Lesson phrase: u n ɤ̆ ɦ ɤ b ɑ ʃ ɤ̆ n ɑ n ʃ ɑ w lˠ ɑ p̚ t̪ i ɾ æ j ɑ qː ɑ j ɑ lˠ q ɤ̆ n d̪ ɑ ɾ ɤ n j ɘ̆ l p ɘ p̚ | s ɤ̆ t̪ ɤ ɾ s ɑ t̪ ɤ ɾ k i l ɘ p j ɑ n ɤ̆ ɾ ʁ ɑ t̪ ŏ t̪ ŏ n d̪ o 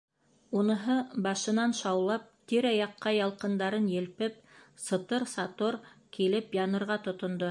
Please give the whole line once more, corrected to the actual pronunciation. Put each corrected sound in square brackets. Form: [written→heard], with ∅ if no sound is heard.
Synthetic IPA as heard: u n ɤ̆ ɦ ɤ b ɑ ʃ ɤ̆ n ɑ n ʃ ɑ w lˠ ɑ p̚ t̪ i ɾ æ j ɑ qː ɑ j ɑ lˠ q ɤ̆ n d̪ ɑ ɾ ɤ n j ɘ̆ l p ɘ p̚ | s ɤ̆ t̪ ɤ ɾ s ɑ t̪ [ɤ→o] ɾ k i l ɘ p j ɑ n ɤ̆ ɾ ʁ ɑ t̪ ŏ t̪ ŏ n d̪ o